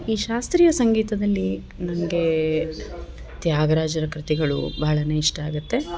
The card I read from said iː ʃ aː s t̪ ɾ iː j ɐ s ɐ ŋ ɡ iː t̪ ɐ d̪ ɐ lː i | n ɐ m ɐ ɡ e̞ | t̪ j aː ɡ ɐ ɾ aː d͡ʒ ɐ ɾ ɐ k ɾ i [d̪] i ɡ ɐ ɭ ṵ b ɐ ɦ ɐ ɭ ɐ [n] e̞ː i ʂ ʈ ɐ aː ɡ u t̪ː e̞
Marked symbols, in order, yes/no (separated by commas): no, yes